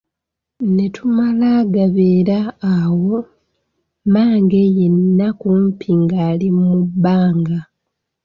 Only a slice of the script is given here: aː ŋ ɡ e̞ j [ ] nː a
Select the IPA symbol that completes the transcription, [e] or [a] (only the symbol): e